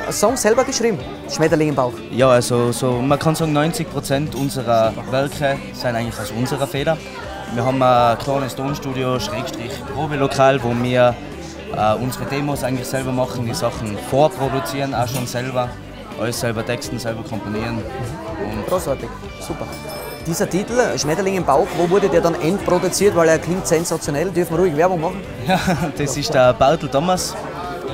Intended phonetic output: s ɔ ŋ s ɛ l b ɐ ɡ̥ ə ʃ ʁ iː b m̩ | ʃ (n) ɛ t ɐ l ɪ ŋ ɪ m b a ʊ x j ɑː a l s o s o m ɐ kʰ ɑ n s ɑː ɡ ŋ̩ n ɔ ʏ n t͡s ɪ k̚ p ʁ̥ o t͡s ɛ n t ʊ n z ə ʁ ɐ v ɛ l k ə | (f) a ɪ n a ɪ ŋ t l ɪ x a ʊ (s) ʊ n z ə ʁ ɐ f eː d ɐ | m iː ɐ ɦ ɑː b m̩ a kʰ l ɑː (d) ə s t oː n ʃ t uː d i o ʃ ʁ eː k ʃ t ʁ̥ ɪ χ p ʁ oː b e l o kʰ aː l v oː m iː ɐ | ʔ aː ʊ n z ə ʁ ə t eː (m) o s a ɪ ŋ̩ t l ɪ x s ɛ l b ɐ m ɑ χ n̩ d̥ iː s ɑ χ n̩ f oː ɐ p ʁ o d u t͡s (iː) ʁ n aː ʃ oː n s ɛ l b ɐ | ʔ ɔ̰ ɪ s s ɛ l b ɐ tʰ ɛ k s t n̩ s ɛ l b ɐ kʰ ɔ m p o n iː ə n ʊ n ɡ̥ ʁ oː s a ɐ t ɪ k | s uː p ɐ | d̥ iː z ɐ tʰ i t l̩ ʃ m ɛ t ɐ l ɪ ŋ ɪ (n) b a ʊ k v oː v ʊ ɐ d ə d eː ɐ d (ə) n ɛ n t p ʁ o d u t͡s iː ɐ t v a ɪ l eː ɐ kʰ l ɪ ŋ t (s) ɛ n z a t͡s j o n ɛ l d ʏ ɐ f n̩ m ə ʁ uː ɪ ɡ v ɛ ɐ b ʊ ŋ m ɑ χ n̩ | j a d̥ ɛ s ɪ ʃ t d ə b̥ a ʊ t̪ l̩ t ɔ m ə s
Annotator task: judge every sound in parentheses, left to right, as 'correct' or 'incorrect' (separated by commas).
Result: incorrect, incorrect, correct, incorrect, correct, correct, incorrect, incorrect, correct